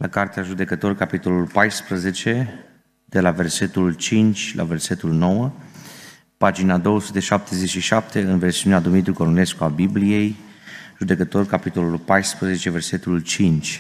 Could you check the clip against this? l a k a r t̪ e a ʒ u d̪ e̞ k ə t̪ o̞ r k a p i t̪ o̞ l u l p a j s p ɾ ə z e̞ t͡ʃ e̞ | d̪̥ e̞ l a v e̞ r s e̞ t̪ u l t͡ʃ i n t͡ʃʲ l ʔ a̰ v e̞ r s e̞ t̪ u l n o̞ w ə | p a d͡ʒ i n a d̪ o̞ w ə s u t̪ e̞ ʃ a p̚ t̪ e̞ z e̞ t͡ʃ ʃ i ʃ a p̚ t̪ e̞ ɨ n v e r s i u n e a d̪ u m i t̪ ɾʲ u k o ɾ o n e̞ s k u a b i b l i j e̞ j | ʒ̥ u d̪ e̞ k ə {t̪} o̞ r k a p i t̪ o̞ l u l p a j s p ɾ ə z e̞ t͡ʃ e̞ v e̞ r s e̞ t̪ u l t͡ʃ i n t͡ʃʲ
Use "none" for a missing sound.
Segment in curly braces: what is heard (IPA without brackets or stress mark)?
t̪